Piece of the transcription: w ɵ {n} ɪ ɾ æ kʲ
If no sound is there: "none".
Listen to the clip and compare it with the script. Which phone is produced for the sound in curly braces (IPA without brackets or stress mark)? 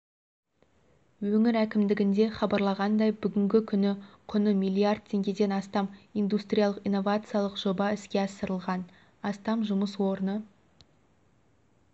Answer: ŋ